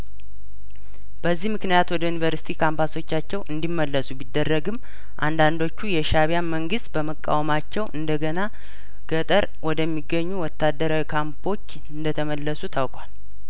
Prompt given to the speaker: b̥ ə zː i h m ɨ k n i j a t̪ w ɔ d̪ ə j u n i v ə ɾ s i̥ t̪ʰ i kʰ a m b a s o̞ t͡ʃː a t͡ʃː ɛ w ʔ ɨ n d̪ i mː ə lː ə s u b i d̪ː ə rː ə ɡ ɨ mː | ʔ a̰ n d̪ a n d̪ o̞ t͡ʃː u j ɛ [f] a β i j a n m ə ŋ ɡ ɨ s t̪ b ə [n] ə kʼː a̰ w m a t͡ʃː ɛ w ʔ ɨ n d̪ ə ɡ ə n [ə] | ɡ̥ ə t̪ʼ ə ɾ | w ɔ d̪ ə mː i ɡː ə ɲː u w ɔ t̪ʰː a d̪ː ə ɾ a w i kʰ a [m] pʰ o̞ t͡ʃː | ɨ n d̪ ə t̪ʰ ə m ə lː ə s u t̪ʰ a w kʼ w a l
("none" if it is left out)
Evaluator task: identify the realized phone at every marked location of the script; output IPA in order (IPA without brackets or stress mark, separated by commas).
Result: ʃ, m, a, m